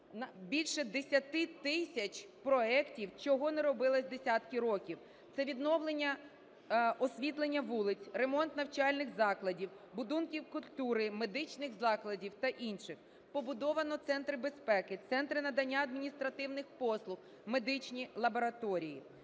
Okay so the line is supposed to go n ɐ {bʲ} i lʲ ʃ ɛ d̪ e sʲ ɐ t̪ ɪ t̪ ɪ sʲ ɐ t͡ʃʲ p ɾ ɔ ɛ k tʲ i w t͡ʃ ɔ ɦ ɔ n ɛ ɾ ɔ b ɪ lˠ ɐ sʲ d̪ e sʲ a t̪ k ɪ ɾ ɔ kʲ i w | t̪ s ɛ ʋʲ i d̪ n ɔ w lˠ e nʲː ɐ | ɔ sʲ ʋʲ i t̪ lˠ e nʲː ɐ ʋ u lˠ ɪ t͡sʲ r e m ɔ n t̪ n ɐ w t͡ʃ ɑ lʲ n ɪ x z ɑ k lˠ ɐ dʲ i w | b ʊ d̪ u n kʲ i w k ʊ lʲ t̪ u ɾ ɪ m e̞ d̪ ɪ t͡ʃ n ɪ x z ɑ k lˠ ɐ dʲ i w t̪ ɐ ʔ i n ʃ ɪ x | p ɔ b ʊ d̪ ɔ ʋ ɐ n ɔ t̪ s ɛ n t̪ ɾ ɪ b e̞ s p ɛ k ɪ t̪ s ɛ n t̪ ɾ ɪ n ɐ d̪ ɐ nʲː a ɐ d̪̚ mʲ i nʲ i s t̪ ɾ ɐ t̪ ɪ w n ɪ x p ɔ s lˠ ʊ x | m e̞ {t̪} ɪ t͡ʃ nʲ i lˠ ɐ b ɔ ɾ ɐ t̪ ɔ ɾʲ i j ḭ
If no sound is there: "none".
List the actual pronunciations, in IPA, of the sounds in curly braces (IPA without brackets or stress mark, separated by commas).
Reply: bʲ, d̪